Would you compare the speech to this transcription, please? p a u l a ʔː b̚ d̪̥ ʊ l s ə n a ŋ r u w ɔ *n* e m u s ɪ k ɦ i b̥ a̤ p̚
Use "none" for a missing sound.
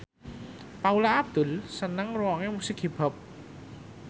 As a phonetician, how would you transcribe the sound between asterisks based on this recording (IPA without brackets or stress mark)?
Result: ŋ